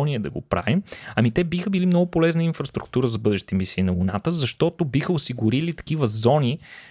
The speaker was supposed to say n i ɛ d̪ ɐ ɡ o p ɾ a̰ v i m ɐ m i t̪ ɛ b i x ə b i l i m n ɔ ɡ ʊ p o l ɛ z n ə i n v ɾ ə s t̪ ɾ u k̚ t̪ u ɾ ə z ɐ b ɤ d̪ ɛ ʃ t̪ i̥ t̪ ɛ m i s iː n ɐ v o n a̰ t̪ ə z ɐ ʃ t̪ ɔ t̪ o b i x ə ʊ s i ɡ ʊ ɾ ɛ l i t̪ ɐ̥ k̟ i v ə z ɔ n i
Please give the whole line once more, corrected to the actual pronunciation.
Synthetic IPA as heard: n i ɛ d̪ ɐ ɡ o p ɾ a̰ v i m ɐ m i t̪ ɛ b i x ə b i l i m n ɔ ɡ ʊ p o l ɛ z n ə i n f ɾ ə s t̪ ɾ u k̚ t̪ u ɾ ə z ɐ b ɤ d̪ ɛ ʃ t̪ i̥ t̪ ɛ m i s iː n ɐ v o n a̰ t̪ ə z ɐ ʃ t̪ ɔ t̪ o b i x ə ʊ s i ɡ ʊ ɾ i l i t̪ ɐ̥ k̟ i v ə z ɔ n i